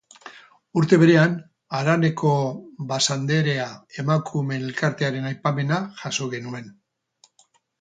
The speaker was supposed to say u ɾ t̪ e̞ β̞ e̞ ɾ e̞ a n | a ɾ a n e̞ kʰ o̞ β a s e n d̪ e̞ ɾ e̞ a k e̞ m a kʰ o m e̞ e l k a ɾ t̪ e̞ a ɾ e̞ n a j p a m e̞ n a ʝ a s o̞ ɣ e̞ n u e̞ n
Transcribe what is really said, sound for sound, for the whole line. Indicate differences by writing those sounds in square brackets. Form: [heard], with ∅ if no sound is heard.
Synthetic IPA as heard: u ɾ t̪ e̞ β̞ e̞ ɾ e̞ a n | a ɾ a n e̞ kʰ o̞ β a s [a] n d̪ e̞ ɾ e̞ a [∅] e̞ m a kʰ [u] m e̞ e l k a ɾ t̪ e̞ a ɾ e̞ n a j p a m e̞ n a ʝ a s o̞ ɣ e̞ n u e̞ n